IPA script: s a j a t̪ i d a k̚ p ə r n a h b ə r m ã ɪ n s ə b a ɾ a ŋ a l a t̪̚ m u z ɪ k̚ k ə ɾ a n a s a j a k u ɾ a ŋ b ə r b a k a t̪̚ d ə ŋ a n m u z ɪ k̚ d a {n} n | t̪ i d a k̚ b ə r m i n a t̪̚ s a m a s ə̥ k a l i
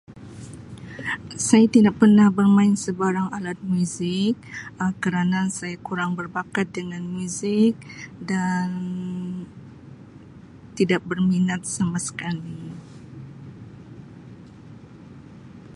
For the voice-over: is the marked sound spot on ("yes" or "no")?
yes